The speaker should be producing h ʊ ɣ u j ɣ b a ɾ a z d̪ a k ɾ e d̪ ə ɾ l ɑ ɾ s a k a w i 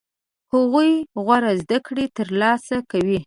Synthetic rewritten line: h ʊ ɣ u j ɣ w a ɾ a z d̪ a k ɽ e t̪ ə ɾ l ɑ s a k a w i